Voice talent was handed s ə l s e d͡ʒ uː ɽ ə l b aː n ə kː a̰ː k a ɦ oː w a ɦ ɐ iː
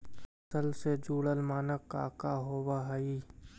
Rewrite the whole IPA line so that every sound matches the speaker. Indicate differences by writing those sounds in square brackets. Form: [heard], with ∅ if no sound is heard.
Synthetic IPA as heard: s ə l s e d͡ʒ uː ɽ ə l [m] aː n ə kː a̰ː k a ɦ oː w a ɦ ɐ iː